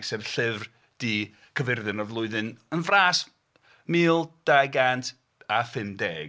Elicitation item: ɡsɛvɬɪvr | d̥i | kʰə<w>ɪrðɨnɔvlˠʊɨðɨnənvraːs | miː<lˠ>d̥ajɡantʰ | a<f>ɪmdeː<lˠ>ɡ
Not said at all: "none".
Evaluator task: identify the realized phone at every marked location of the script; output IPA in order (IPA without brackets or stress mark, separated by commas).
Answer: v, lˠ, f, none